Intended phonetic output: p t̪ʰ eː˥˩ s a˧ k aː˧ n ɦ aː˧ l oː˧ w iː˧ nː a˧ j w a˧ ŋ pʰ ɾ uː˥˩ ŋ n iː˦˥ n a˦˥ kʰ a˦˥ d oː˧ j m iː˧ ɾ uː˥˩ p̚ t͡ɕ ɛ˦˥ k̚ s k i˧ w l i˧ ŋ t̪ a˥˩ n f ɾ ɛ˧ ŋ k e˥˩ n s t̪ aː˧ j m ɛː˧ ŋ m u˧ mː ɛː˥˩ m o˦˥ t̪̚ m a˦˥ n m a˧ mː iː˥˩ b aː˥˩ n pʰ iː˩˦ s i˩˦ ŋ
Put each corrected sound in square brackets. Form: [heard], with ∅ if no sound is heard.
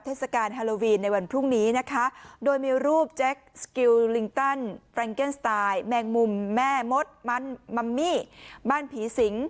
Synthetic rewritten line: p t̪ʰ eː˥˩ s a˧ k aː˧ n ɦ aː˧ l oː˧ w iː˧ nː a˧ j w a˧ [n] pʰ ɾ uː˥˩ ŋ n iː˦˥ n a˦˥ kʰ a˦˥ d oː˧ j m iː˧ ɾ uː˥˩ p̚ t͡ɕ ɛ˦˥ k̚ s k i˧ w l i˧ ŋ t̪ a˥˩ n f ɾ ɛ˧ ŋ k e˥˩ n s t̪ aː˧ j m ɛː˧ ŋ m u˧ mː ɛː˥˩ m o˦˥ t̪̚ m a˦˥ n m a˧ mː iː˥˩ b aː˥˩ n pʰ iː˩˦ s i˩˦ ŋ